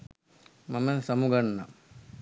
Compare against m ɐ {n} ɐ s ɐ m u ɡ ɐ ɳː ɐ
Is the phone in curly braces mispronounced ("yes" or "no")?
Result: yes